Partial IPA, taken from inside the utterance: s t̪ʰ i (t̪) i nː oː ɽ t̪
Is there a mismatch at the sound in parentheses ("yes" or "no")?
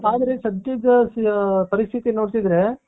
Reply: no